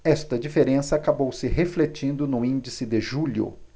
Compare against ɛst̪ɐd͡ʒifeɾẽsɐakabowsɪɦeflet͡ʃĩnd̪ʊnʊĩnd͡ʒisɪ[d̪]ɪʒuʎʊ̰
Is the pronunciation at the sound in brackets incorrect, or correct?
correct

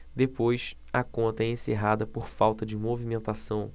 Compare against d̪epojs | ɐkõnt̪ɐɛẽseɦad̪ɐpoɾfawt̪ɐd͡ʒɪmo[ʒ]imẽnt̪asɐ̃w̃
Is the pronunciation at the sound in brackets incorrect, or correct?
incorrect: v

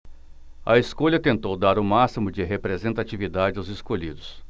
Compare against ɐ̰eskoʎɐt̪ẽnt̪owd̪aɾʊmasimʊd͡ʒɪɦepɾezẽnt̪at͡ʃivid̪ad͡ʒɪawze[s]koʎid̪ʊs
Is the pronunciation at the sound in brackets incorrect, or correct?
correct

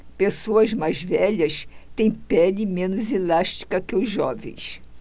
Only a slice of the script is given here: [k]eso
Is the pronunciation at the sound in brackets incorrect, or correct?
incorrect: p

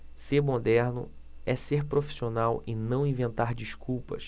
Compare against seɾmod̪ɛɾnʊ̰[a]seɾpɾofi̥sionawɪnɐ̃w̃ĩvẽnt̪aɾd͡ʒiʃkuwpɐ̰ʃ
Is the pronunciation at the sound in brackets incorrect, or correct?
incorrect: ɛ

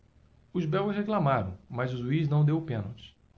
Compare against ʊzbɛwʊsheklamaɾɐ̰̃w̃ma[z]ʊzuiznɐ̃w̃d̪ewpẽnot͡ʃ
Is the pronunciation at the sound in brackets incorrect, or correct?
correct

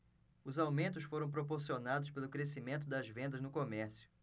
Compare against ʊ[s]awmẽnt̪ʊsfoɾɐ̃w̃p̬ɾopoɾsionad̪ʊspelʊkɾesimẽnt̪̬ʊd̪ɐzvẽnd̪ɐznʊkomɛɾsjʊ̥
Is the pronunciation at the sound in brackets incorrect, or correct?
incorrect: z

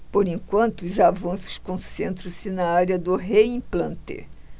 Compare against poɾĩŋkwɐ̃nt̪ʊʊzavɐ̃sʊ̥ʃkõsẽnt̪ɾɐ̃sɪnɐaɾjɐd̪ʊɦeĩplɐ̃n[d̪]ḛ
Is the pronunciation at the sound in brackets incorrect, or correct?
incorrect: t̪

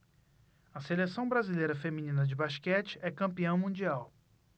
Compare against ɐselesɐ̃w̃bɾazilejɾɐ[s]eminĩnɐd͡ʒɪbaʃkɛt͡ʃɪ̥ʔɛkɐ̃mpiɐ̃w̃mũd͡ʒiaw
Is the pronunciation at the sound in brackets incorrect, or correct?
incorrect: f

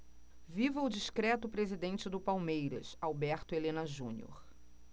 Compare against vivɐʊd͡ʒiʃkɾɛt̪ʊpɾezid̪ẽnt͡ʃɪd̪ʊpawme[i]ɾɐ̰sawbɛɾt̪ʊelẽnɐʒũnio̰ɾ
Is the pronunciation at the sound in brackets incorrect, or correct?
incorrect: j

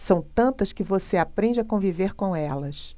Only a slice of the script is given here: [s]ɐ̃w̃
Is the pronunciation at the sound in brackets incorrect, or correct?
correct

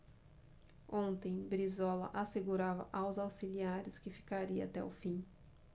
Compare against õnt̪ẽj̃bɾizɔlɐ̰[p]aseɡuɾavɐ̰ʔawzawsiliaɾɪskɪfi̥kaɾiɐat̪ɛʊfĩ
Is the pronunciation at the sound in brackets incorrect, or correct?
incorrect: ʔ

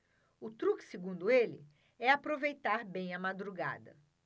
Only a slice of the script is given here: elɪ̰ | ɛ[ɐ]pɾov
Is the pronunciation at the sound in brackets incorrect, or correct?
incorrect: a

